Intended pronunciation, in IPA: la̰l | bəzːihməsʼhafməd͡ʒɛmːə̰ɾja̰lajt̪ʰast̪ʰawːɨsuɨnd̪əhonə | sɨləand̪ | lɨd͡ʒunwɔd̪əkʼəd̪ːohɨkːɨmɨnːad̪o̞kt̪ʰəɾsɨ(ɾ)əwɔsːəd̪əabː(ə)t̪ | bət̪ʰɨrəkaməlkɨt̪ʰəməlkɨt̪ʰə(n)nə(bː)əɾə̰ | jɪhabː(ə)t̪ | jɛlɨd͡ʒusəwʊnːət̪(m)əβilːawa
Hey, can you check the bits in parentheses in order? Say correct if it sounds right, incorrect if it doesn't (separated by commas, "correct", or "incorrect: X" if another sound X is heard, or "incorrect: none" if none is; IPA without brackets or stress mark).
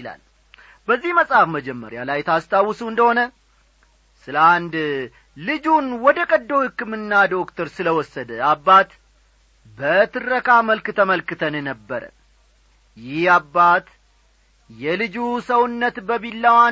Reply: incorrect: l, incorrect: a, correct, correct, incorrect: a, incorrect: b